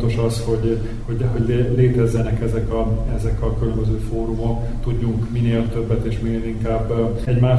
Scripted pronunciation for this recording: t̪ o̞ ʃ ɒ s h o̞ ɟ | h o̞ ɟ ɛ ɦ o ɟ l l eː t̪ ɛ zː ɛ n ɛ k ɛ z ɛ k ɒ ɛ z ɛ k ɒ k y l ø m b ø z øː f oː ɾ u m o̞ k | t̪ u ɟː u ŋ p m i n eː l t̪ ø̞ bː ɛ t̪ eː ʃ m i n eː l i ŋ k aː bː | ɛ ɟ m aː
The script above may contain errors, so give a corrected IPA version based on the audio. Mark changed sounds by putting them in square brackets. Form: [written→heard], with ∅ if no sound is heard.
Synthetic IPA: t̪ o̞ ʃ ɒ s h o̞ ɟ | h o̞ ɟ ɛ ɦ o ɟ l l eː t̪ ɛ zː ɛ n ɛ k ɛ z ɛ k ɒ ɛ z ɛ k ɒ k y l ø m b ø z øː f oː ɾ u m o̞ k | t̪ u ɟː u ŋ [p→k] m i n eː l t̪ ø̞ bː ɛ t̪ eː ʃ m i n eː l i ŋ k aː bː | ɛ ɟ m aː